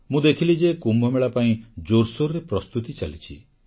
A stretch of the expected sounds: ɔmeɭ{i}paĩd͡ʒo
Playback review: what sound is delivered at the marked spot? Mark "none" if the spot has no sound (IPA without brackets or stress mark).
a